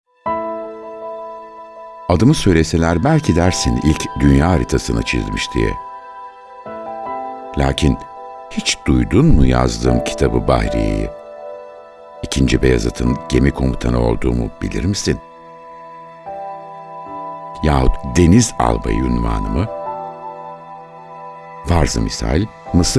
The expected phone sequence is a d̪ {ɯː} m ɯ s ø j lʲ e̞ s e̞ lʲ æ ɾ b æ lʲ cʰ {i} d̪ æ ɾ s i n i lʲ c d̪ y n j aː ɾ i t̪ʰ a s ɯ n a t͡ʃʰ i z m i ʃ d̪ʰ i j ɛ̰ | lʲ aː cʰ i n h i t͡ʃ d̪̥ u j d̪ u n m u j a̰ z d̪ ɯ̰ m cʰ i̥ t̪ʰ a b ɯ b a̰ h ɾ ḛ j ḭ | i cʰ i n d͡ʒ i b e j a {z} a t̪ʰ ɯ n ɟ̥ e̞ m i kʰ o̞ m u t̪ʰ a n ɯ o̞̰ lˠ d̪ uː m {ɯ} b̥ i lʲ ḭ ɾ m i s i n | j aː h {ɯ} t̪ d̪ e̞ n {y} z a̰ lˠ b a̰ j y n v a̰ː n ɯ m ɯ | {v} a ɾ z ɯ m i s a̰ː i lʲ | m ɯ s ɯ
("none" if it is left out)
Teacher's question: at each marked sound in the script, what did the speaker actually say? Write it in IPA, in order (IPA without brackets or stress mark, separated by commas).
ɯ, i, z, u, u, i, v